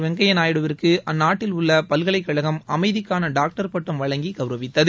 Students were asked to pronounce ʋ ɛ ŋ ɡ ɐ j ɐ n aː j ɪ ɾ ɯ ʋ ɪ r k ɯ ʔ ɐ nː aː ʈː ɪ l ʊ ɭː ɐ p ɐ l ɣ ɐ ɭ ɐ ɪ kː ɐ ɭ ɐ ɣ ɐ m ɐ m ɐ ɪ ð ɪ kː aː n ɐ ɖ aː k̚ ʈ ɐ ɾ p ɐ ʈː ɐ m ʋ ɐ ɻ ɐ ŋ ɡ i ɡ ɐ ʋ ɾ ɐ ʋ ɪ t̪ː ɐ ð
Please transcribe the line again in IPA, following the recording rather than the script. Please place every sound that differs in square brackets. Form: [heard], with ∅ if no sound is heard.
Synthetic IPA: ʋ ɛ ŋ ɡ ɐ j ɐ n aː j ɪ [ɽ] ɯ ʋ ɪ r k ɯ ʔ ɐ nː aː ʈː ɪ l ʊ ɭː ɐ p ɐ l ɣ ɐ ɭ ɐ ɪ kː ɐ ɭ ɐ ɣ ɐ m ɐ m ɐ ɪ ð ɪ kː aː n ɐ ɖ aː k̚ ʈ ɐ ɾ p ɐ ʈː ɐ m ʋ ɐ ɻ ɐ ŋ ɡ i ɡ ɐ ʋ ɾ ɐ ʋ ɪ t̪ː ɐ ð